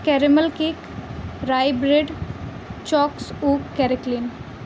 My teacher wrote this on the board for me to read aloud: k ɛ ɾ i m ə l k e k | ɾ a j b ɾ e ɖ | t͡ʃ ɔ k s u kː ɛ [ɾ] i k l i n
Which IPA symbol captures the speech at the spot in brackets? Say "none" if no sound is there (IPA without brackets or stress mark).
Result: ɾ